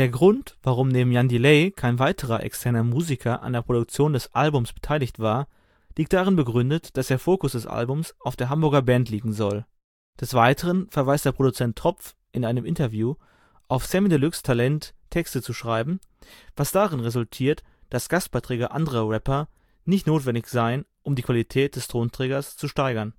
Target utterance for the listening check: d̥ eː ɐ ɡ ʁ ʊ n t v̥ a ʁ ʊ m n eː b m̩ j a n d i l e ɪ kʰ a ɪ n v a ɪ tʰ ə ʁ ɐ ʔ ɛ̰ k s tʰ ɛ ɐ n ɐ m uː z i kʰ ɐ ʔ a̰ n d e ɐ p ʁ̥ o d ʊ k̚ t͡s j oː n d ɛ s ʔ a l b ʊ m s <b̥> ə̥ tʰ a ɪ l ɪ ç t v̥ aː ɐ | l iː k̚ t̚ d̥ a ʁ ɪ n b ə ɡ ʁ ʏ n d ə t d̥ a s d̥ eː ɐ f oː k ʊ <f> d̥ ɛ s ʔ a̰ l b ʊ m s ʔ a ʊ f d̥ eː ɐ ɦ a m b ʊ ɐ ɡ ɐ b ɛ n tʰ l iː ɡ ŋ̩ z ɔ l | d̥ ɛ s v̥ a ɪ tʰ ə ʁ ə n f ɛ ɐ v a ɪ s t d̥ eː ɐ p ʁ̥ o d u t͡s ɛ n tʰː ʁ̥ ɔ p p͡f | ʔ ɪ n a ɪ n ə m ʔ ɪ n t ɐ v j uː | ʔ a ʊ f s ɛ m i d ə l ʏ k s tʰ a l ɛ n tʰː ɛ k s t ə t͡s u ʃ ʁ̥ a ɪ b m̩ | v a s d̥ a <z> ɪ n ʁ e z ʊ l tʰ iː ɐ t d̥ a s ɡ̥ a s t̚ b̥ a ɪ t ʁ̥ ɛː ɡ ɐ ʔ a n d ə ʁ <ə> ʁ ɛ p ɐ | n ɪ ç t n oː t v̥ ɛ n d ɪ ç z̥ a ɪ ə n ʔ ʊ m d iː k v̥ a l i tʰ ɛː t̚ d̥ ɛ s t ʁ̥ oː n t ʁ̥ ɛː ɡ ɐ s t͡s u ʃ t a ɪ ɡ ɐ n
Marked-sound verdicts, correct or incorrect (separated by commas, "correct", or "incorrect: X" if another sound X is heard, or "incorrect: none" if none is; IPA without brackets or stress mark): correct, incorrect: s, incorrect: ʁ, incorrect: ɐ